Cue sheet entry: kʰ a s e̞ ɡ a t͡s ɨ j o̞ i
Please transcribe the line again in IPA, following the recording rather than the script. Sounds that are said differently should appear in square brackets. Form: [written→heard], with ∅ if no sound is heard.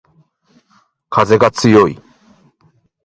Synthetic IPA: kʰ a [s→z] e̞ ɡ a t͡s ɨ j o̞ i